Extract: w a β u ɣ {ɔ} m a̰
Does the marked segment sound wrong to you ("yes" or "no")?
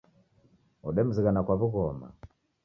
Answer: no